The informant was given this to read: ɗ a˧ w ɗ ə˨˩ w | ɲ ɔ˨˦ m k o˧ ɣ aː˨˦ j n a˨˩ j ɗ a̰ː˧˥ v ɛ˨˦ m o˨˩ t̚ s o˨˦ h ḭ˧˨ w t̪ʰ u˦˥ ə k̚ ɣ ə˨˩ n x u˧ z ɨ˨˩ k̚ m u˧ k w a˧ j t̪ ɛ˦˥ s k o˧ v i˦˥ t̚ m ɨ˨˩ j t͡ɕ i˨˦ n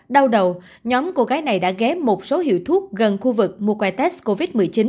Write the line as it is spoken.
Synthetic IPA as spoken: ɗ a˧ w ɗ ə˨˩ w | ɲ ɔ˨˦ m k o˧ ɣ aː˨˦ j n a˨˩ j ɗ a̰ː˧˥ ɣ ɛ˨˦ m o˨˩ t̚ s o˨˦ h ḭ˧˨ w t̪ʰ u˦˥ ə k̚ ɣ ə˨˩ n x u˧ v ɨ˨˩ k̚ m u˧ k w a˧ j t̪ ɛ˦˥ s k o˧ v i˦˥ t̚ m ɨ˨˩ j t͡ɕ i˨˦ n